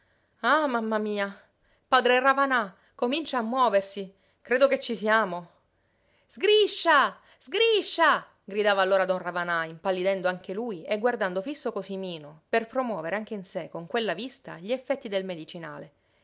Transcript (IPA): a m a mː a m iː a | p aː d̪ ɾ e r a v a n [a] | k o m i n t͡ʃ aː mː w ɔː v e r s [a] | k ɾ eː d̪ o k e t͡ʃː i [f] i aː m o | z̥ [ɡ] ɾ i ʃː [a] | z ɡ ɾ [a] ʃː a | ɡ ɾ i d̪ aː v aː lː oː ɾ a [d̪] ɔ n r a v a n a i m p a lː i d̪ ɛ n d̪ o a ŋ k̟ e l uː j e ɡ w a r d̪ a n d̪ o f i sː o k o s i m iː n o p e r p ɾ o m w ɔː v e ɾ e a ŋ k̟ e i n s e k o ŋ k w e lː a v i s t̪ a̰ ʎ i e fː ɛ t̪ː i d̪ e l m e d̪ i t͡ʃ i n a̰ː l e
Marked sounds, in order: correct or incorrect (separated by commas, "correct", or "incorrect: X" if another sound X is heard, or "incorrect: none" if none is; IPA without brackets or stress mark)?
correct, incorrect: i, incorrect: s, correct, correct, incorrect: i, correct